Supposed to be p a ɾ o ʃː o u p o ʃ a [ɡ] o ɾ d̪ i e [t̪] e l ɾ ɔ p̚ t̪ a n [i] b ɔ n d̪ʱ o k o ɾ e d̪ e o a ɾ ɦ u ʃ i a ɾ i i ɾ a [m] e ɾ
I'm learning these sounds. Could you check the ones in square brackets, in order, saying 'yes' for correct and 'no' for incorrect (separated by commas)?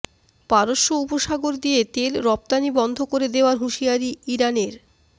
yes, yes, yes, no